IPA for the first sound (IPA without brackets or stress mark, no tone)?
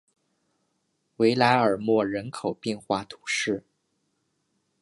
w